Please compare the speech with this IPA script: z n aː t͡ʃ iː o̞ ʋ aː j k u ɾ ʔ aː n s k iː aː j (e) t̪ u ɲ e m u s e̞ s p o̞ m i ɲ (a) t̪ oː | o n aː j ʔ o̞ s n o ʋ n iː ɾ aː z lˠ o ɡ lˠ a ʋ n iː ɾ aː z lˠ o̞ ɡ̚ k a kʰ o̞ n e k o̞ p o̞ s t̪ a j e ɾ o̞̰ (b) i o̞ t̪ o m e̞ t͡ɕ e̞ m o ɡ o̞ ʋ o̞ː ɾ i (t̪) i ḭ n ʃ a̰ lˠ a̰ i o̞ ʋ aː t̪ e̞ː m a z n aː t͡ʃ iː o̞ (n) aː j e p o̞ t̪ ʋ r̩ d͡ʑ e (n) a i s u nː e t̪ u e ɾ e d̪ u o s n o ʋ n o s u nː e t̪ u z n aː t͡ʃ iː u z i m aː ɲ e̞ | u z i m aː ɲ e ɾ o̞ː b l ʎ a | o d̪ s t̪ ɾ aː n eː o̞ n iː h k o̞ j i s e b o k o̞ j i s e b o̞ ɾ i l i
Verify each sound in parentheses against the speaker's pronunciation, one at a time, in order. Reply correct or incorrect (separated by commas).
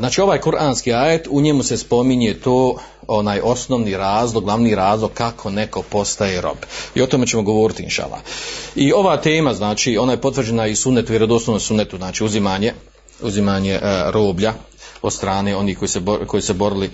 correct, incorrect, correct, correct, correct, correct